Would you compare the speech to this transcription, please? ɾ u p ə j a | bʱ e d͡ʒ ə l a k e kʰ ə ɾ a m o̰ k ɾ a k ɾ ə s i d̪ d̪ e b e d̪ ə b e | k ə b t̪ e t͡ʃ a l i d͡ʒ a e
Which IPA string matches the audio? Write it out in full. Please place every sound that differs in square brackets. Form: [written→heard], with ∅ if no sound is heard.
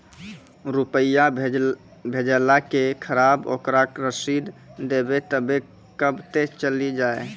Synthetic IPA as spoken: ɾ u p ə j a | bʱ e d͡ʒ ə l a k e kʰ ə ɾ a [m→b] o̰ k ɾ a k ɾ ə s i d̪ d̪ e b e [d̪→t̪] ə b e | k ə b t̪ e t͡ʃ [a→ə] l i d͡ʒ a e